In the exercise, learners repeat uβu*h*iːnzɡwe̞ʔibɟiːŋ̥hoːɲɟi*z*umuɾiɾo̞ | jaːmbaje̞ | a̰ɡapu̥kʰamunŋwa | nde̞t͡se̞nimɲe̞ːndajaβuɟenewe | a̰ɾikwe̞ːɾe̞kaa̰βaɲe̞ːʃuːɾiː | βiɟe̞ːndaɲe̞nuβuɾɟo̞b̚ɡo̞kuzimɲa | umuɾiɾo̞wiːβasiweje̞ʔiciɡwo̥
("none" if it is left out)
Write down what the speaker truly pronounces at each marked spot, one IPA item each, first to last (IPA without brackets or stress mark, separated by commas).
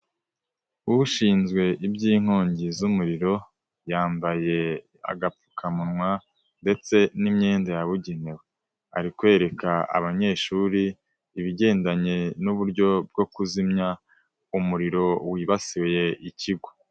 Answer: ʃ, z